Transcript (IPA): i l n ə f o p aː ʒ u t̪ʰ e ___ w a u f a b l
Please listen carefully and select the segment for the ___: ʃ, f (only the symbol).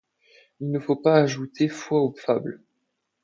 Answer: f